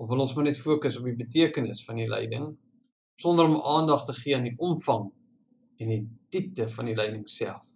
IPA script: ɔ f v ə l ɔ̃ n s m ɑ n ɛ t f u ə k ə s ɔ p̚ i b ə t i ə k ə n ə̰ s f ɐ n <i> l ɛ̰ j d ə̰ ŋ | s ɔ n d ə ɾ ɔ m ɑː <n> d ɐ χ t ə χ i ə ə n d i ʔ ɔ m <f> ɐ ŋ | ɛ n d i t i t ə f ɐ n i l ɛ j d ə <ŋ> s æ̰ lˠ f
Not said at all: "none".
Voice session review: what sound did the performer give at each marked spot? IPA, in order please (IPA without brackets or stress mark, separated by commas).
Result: i, n, f, ŋ